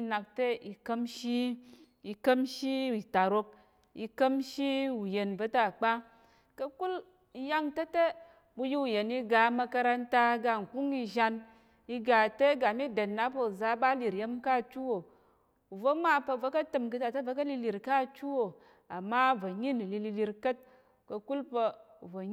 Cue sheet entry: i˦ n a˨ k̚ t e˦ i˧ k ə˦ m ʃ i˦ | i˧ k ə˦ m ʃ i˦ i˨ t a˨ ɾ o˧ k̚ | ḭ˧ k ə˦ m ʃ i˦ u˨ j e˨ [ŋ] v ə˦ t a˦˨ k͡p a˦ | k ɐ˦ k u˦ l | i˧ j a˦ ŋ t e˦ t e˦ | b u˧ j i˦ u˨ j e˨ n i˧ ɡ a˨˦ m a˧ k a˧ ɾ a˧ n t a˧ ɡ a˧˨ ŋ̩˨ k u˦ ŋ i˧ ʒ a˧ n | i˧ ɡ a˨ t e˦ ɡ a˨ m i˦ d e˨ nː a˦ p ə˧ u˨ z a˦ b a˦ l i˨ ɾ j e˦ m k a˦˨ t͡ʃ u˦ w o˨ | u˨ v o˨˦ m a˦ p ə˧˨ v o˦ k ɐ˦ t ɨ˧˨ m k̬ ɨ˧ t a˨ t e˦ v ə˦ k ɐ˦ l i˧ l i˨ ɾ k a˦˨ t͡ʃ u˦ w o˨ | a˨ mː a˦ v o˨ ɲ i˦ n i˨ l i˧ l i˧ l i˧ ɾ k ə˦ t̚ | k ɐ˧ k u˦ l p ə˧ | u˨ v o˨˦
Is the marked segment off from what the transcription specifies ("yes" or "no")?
yes